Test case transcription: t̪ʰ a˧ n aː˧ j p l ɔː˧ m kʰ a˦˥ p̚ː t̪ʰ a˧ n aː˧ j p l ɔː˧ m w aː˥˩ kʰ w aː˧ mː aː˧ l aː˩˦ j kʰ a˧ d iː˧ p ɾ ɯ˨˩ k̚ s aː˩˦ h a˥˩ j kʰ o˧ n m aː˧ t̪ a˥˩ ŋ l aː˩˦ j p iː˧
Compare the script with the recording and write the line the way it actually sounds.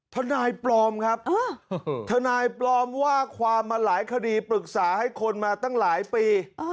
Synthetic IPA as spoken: t̪ʰ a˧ n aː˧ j p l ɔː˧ m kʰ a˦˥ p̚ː t̪ʰ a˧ n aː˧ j p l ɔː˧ m w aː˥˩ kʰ w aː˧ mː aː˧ l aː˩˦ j kʰ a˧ d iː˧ p ɾ ɯ˨˩ k̚ s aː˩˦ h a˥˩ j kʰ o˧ n m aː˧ t̪ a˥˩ ŋ l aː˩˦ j p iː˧